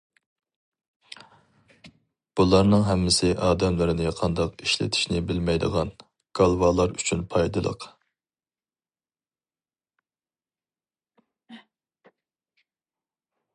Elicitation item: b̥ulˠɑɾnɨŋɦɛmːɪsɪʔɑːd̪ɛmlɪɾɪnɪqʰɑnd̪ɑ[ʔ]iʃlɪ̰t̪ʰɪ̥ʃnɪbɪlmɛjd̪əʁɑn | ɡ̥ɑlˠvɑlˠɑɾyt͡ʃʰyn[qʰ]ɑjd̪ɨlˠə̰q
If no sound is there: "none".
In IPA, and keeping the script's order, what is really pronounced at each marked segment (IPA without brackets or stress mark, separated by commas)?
q, pʰ